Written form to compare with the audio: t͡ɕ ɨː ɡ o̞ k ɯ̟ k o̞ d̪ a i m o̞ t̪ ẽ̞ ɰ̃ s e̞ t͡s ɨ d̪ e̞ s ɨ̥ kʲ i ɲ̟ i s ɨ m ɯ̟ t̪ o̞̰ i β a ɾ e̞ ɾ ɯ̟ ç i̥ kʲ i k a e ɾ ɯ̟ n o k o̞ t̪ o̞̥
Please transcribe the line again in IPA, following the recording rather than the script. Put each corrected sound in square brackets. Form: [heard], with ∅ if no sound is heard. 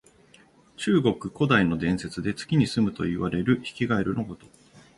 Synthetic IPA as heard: t͡ɕ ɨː ɡ o̞ k ɯ̟ k o̞ d̪ a i [n] o̞ [d̪] ẽ̞ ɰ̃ s e̞ t͡s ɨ d̪ e̞ [t͡s] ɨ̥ kʲ i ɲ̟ i s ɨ m ɯ̟ t̪ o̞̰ i β a ɾ e̞ ɾ ɯ̟ ç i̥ kʲ i [ɡ] a e ɾ ɯ̟ n o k o̞ t̪ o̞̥